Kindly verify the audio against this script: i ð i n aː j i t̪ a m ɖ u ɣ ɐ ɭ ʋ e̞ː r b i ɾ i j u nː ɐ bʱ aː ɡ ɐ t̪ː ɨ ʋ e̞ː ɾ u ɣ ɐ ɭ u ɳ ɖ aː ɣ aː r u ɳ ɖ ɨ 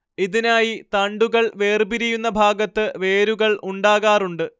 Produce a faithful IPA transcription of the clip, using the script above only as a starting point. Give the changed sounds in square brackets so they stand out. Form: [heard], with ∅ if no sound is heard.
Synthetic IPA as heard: i ð i n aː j i t̪ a [ɳ] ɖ u ɣ ɐ ɭ ʋ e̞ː r b i ɾ i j u nː ɐ bʱ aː ɡ ɐ t̪ː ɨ ʋ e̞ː ɾ u ɣ ɐ ɭ u ɳ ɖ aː ɣ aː r u ɳ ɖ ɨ

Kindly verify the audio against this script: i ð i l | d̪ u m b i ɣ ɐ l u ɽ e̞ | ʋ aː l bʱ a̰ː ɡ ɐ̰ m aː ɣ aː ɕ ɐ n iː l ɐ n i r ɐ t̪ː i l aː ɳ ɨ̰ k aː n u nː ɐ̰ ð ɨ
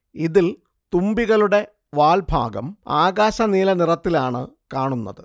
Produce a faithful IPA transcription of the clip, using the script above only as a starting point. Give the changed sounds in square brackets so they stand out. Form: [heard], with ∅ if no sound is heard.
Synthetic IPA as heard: i ð i l | [t̪] u m b i ɣ ɐ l u ɽ e̞ | ʋ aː l bʱ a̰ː ɡ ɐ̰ m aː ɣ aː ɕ ɐ n iː l ɐ n i r ɐ t̪ː i l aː ɳ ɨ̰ k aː [ɳ] u nː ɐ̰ ð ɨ

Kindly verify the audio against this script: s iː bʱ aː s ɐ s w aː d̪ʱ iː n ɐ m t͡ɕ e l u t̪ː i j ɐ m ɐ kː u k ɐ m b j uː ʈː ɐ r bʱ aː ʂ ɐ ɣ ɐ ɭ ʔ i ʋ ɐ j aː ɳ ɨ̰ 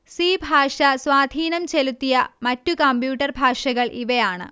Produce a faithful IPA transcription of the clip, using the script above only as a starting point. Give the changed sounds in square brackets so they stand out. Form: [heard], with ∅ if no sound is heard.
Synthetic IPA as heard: s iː bʱ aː [ʂ] ɐ s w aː d̪ʱ iː n ɐ m t͡ɕ e l u t̪ː i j ɐ m ɐ [tː] u k ɐ m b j uː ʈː ɐ r bʱ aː ʂ ɐ ɣ ɐ ɭ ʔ i ʋ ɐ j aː ɳ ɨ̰

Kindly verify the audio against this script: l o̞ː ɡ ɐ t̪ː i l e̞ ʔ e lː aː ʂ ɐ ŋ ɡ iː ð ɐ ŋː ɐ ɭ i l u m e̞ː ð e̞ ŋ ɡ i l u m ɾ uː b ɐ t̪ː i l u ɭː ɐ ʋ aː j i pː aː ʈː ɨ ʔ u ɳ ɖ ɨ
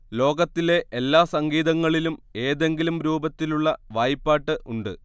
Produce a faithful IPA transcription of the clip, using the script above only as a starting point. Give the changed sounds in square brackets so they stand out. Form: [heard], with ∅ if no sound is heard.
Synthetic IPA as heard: l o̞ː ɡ ɐ t̪ː i l e̞ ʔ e lː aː [s] ɐ ŋ ɡ iː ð ɐ ŋː ɐ ɭ i l u m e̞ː ð e̞ ŋ ɡ i l u m ɾ uː b ɐ t̪ː i l u ɭː ɐ ʋ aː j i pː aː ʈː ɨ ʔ u ɳ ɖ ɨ

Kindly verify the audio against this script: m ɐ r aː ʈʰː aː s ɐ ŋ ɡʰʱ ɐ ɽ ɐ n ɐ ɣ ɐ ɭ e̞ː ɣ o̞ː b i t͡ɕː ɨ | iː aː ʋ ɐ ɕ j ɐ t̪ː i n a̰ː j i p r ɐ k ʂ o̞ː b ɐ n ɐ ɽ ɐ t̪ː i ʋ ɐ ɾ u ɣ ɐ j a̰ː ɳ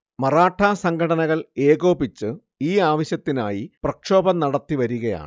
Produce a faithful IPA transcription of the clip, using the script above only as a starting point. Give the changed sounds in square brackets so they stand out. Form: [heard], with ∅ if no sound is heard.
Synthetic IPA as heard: m ɐ r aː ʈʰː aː s ɐ ŋ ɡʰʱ ɐ ɽ ɐ n ɐ ɣ ɐ ɭ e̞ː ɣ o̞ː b i t͡ɕː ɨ | iː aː ʋ ɐ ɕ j ɐ t̪ː i n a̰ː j i p r ɐ k ʂ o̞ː b ɐ n ɐ ɽ ɐ t̪ː i ʋ ɐ ɾ u ɣ ɐ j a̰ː ɳ

